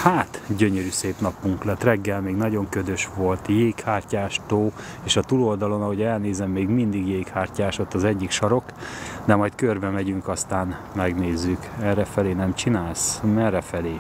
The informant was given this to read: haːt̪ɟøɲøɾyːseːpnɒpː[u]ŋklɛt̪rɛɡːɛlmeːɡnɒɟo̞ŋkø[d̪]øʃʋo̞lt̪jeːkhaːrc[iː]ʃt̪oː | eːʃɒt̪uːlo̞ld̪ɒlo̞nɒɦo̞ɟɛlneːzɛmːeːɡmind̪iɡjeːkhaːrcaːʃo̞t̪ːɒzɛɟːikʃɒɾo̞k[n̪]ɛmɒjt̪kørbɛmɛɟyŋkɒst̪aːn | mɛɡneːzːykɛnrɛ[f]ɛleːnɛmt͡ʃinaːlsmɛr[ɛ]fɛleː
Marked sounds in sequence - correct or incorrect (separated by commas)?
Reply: correct, correct, incorrect, incorrect, correct, correct